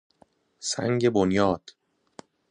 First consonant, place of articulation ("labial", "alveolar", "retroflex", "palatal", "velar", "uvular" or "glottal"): alveolar